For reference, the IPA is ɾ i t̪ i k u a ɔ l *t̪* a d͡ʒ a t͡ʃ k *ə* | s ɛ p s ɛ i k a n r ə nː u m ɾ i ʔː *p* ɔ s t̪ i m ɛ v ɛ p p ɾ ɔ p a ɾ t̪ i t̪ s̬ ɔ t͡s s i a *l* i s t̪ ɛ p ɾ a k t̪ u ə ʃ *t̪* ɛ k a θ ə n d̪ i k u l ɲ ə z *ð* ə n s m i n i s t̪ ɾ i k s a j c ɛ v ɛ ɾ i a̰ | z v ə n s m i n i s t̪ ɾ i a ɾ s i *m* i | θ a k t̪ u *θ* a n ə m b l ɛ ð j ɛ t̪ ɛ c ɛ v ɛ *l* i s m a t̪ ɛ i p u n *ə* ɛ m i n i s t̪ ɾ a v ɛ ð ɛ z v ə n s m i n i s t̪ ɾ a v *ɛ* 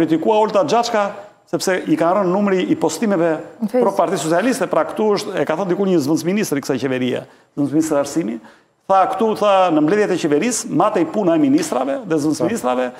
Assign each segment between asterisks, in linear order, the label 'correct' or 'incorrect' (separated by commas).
correct, incorrect, correct, correct, correct, incorrect, correct, correct, incorrect, incorrect, correct